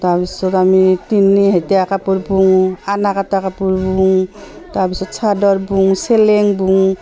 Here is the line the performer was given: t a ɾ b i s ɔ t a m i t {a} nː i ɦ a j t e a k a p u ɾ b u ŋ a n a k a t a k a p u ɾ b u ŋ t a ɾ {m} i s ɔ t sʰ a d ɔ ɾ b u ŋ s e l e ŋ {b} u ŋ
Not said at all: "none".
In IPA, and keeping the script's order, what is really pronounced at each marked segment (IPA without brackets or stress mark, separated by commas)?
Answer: i, b, b